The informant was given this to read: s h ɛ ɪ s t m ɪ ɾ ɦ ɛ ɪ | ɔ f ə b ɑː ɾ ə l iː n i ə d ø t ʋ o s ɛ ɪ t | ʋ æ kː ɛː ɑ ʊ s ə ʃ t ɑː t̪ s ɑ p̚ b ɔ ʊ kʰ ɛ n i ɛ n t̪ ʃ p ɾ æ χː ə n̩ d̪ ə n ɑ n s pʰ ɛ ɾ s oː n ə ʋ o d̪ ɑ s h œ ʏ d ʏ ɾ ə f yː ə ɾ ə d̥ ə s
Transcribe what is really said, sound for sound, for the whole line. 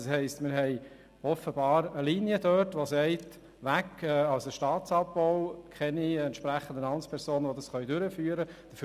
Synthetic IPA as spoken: s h ɛ ɪ s t m ɪ ɾ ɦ ɛ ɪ | ɔ f ə b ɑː ɾ ə l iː n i ə d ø t ʋ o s ɛ ɪ t | ʋ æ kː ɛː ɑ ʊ s ə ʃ t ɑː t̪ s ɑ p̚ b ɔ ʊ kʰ ɛ n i ɛ n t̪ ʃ p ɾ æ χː ə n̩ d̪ ə n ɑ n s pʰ ɛ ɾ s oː n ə ʋ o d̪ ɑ s χ œ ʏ d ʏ ɾ ə f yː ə ɾ ə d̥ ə f